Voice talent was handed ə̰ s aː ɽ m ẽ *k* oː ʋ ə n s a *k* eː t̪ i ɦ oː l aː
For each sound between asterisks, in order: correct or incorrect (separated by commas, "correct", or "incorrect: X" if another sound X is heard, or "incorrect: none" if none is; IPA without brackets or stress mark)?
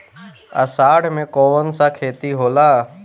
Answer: correct, incorrect: kʰ